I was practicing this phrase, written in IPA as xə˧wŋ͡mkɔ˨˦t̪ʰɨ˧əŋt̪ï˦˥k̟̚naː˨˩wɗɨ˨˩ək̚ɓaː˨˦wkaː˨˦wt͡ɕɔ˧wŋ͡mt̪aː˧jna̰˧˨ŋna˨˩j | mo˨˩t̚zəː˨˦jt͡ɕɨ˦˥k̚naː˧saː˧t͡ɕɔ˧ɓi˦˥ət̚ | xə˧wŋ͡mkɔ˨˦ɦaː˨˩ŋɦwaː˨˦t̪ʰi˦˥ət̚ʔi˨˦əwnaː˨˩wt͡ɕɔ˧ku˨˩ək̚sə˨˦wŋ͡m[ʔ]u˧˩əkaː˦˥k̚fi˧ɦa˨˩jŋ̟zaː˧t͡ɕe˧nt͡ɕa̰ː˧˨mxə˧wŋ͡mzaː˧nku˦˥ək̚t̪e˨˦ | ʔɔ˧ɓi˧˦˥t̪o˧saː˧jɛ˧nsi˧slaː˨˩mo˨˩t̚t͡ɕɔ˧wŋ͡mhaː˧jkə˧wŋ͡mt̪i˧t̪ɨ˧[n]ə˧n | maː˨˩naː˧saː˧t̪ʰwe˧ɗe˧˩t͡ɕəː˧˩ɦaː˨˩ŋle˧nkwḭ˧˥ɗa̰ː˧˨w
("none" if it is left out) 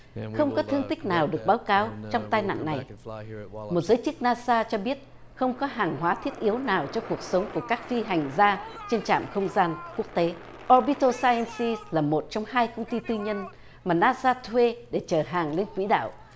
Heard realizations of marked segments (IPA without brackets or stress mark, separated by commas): k, ɲ